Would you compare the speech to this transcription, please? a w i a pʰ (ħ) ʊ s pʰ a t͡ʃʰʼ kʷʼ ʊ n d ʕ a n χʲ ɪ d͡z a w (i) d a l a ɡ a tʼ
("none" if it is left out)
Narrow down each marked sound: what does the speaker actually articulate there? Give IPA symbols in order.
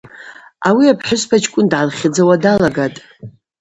ħ, a

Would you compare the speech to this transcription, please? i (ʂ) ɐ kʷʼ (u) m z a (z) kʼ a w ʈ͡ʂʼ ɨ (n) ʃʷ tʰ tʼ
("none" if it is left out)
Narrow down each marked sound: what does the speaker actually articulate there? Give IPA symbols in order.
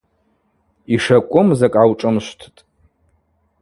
ʂ, ʊ, none, m

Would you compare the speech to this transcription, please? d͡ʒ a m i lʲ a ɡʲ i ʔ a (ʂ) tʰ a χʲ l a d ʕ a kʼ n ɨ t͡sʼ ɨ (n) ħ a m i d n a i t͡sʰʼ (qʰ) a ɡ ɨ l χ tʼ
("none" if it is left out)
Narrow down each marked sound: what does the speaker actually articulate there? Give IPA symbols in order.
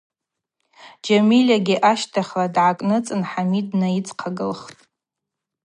ʃ, n, qʰ

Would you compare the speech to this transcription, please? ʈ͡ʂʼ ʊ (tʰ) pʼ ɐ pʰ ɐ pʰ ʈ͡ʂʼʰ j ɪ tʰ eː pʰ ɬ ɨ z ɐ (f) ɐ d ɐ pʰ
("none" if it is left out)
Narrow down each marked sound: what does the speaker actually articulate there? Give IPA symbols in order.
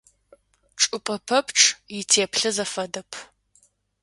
none, f

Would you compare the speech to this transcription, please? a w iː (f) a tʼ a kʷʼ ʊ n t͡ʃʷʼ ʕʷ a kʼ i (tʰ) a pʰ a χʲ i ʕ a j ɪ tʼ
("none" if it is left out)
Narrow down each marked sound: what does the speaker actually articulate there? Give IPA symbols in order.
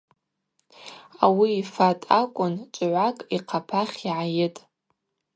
f, qʰ

